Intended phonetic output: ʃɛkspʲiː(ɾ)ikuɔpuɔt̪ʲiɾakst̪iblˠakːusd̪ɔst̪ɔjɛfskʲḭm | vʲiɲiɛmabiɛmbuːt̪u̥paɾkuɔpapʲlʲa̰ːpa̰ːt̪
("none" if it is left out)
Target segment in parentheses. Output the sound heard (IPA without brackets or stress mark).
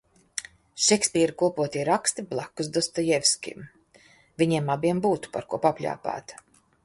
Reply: ɾ